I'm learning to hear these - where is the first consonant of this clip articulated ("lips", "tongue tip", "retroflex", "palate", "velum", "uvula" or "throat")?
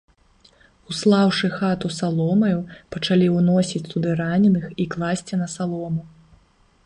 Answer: tongue tip